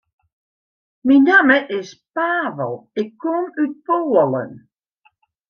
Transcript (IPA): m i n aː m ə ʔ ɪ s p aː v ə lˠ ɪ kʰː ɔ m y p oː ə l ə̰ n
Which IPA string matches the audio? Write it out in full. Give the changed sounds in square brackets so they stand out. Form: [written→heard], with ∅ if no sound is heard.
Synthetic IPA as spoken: m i n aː m ə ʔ ɪ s p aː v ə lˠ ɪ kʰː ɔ m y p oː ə l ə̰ n